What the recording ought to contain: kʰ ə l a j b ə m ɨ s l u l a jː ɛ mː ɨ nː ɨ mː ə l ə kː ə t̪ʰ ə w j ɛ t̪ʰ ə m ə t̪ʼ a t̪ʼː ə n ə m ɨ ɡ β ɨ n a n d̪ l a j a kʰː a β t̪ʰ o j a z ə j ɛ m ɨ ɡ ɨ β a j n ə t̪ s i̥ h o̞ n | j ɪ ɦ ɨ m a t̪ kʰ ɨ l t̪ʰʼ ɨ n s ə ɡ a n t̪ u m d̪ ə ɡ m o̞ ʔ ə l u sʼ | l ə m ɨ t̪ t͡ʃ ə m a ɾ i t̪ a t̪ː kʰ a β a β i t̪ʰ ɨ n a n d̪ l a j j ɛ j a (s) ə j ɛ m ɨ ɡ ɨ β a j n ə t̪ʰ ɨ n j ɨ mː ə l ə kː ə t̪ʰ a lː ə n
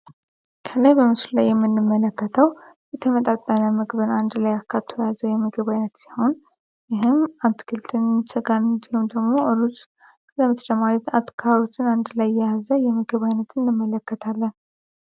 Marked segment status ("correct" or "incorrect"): incorrect